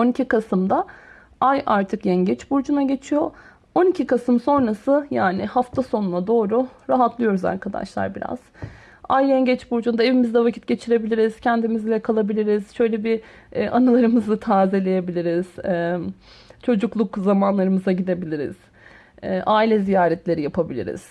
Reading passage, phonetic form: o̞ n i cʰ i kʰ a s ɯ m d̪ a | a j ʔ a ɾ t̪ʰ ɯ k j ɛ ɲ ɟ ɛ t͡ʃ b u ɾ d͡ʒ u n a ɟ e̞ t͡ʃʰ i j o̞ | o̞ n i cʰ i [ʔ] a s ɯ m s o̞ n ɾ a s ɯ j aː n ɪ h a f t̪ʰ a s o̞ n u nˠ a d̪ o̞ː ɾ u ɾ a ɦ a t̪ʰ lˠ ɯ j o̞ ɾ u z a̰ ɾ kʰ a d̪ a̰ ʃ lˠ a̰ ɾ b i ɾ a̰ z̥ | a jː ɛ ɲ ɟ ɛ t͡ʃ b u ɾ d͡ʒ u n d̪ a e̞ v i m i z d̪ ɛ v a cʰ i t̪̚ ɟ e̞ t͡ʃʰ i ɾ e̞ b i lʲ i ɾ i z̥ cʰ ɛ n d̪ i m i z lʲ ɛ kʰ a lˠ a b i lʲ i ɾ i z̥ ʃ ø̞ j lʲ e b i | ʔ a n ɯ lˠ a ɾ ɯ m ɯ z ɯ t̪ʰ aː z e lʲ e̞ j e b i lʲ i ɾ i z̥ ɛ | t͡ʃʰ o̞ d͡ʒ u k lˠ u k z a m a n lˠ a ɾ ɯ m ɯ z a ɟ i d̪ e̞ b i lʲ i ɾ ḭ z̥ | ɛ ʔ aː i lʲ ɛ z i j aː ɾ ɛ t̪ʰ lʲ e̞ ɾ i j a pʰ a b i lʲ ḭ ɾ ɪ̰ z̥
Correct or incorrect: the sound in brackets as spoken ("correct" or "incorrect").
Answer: incorrect